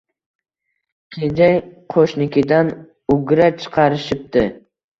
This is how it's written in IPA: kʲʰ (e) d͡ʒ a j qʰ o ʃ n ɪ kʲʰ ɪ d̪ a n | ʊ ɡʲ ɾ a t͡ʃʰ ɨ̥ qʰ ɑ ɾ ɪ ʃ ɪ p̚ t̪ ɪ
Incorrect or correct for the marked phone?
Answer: correct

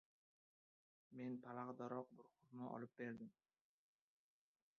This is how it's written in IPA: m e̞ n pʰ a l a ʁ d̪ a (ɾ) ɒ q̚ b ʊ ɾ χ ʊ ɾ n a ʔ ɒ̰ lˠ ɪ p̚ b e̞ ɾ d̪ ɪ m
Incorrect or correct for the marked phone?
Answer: correct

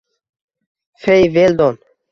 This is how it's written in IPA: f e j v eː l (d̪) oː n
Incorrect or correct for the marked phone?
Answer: correct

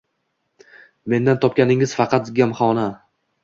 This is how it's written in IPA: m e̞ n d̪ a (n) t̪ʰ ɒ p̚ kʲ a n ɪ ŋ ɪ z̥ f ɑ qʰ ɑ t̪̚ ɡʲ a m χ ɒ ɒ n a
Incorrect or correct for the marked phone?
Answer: correct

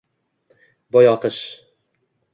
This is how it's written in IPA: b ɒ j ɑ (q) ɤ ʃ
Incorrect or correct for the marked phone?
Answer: correct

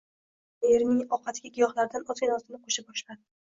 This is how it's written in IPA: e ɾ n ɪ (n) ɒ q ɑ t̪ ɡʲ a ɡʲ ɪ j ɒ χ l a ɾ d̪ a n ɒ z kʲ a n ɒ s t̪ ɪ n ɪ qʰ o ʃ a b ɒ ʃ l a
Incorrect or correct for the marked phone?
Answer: incorrect: ŋ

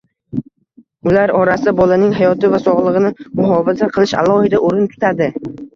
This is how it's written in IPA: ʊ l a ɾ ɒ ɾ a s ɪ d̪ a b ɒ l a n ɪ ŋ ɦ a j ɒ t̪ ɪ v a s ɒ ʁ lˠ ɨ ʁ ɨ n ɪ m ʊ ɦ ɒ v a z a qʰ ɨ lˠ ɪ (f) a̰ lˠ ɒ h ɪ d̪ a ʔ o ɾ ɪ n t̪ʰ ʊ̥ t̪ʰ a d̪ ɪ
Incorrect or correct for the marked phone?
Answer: incorrect: ʃ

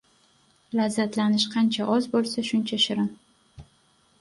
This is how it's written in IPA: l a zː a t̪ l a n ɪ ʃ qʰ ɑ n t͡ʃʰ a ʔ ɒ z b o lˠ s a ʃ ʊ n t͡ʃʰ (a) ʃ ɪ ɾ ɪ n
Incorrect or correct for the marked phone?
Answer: correct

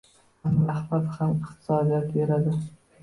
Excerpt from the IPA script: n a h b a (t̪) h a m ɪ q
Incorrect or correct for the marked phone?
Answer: correct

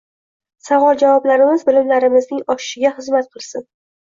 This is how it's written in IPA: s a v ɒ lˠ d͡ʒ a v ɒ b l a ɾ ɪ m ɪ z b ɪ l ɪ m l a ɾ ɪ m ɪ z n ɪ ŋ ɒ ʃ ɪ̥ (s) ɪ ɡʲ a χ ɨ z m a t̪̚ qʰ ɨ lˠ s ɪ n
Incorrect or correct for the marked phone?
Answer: incorrect: ʃ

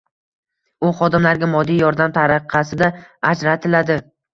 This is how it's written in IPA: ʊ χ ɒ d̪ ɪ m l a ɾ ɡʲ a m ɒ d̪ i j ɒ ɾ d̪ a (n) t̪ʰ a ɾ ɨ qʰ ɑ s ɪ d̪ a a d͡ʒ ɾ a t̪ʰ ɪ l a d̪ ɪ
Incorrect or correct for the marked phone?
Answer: incorrect: m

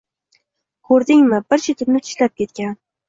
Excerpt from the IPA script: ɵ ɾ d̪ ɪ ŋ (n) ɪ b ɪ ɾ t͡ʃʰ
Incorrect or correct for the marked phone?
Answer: incorrect: m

